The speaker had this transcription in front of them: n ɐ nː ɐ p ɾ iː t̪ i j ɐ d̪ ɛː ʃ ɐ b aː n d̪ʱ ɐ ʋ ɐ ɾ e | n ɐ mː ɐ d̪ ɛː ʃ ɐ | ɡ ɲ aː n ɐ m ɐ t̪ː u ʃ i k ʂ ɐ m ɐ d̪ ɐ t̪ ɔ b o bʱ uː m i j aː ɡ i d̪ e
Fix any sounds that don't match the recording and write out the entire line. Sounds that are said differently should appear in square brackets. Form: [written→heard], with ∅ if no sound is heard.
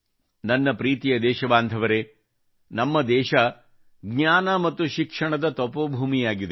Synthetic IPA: n ɐ nː ɐ p ɾ iː t̪ i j ɐ d̪ ɛː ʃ ɐ b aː n d̪ʱ ɐ ʋ ɐ ɾ e | n ɐ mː ɐ d̪ ɛː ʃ ɐ | ɡ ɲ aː n ɐ m ɐ t̪ː u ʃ i k ʂ ɐ [m→ɳ] ɐ d̪ ɐ t̪ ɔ [b→p] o bʱ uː m i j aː ɡ i d̪ e